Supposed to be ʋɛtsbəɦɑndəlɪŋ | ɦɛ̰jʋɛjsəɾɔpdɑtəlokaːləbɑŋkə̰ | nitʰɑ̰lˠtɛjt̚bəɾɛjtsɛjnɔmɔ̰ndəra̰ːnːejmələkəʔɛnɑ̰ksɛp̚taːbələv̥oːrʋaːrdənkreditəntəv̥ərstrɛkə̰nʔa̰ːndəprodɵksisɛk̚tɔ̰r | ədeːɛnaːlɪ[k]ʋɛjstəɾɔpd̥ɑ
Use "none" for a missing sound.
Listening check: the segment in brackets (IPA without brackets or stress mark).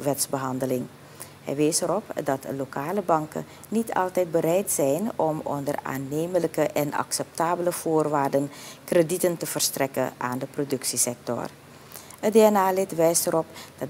t